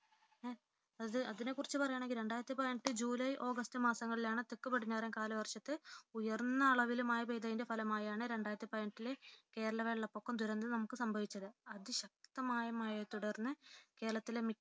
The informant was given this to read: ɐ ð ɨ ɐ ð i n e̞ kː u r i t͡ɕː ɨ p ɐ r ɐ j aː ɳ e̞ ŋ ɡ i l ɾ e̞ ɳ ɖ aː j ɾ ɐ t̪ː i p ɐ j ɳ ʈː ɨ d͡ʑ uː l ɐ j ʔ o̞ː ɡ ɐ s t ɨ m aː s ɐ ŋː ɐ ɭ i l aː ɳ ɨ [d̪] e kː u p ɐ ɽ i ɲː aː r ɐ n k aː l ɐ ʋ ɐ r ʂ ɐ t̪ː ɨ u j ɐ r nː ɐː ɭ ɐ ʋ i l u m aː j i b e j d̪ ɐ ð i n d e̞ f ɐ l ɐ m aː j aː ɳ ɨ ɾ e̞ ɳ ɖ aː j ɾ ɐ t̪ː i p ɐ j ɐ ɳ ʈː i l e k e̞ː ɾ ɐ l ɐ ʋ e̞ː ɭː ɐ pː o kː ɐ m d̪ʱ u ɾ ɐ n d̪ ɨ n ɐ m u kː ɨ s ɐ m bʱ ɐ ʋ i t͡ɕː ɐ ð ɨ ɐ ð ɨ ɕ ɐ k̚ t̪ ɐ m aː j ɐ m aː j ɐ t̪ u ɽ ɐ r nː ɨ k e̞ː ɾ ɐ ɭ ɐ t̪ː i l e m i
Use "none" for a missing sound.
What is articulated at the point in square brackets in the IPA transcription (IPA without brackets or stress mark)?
t̪